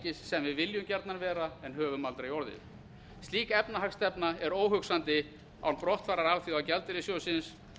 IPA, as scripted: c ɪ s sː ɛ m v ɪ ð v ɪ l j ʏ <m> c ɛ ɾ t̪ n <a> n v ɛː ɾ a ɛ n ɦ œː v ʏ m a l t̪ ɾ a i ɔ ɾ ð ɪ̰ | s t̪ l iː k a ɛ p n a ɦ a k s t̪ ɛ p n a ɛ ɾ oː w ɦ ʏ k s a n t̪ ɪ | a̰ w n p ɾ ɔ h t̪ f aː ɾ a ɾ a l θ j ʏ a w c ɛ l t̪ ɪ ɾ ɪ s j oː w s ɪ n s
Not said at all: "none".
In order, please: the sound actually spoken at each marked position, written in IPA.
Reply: m, a

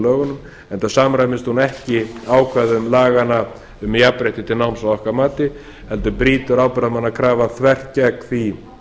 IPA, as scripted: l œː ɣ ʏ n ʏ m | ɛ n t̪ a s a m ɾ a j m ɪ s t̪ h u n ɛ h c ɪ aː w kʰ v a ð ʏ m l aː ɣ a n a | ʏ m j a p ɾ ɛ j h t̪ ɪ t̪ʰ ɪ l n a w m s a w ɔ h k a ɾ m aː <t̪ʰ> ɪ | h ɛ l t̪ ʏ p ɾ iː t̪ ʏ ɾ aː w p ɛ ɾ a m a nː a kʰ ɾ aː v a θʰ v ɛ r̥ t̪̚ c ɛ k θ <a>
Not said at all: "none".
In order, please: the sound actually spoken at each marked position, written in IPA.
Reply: t̪, i

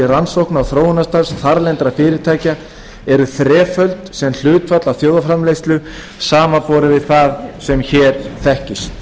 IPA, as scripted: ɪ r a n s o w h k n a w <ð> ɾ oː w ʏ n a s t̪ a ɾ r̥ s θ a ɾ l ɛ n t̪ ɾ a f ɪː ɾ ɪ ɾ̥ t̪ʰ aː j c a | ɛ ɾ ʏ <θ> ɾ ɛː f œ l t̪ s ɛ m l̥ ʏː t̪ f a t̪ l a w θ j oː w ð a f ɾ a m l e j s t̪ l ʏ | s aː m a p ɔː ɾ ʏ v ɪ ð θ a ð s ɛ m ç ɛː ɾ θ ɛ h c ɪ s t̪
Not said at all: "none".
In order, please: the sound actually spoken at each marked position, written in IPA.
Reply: θ, θ

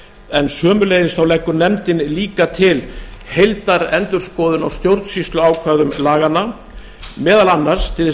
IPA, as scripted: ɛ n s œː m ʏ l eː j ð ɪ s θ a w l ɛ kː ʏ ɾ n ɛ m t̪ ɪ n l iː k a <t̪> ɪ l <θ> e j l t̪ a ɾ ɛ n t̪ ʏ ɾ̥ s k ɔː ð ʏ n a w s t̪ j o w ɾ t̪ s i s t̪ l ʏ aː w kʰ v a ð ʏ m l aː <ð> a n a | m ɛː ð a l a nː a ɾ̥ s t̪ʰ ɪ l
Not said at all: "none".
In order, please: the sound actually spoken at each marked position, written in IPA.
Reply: t̪ʰ, h, ɣ

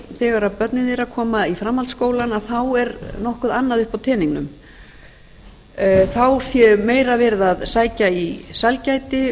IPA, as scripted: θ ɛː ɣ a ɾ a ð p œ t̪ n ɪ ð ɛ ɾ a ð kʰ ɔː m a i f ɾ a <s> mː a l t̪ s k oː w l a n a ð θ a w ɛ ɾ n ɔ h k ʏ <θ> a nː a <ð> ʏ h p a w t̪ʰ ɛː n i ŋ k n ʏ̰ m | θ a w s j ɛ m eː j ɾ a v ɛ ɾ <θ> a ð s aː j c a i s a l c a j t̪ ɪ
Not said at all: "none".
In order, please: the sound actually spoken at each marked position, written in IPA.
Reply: none, ð, ð, ð

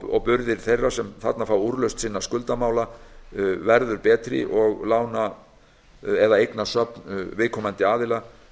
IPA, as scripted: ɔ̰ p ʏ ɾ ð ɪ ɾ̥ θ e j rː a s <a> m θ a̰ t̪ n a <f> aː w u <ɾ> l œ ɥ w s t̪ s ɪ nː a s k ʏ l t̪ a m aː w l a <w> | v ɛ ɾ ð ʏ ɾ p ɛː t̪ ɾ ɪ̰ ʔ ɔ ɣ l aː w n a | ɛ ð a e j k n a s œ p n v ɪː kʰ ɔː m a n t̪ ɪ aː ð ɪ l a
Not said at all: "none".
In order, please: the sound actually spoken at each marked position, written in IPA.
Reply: ɛ, f, ɾ, none

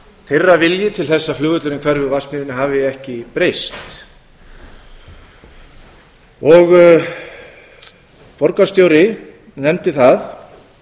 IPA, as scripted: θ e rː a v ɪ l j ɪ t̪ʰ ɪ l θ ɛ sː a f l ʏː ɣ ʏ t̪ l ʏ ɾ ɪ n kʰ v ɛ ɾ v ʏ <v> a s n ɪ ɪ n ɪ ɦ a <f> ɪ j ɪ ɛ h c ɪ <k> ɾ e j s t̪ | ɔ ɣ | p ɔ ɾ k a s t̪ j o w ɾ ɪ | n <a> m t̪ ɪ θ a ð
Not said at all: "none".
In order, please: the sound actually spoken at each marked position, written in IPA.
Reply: v, v, p, ɛ

